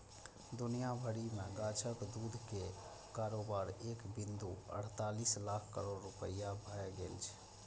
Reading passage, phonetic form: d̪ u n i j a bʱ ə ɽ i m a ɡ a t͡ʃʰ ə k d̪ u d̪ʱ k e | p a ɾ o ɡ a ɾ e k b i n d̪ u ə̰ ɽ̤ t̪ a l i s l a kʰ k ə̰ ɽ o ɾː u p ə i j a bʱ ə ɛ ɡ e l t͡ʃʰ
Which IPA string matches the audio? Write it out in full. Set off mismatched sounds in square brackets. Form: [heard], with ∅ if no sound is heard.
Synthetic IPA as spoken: d̪ u n i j a bʱ ə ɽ i m [e] ɡ a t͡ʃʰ ə k d̪ u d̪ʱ k e | [k] a ɾ o [b] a ɾ e k b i n d̪ u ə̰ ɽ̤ t̪ a l i s l a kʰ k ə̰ [ɾ] o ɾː u p ə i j a bʱ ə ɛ ɡ e l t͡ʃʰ